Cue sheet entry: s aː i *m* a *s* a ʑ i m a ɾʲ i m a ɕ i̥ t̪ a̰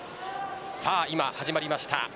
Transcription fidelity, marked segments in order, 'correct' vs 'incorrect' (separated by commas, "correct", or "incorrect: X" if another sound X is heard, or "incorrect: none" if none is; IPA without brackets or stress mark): correct, incorrect: h